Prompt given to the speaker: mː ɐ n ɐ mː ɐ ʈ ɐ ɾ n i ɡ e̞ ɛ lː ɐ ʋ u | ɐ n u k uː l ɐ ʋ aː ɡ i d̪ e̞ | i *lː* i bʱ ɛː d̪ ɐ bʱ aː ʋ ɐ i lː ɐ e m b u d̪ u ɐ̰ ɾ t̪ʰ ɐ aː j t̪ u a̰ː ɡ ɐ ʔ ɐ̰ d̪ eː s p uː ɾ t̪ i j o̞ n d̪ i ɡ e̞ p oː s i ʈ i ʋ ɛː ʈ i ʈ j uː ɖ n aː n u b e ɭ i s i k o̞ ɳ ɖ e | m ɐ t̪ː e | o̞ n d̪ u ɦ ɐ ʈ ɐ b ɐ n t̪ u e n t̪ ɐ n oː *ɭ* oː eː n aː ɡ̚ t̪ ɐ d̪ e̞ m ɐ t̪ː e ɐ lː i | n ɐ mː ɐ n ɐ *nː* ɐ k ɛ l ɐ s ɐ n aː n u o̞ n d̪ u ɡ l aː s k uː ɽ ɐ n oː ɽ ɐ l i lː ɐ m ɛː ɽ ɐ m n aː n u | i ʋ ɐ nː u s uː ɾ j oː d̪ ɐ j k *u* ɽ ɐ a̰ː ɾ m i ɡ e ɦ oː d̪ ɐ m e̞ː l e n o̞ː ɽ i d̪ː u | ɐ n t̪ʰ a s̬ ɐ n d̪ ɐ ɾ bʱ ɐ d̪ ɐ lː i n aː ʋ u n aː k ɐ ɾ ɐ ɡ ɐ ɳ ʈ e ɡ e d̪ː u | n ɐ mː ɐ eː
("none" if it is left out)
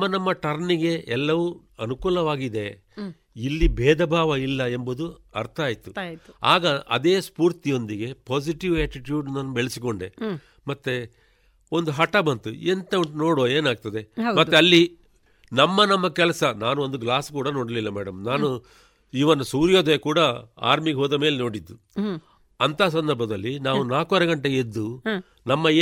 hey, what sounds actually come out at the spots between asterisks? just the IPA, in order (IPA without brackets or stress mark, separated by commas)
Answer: lː, ɽ, mː, uː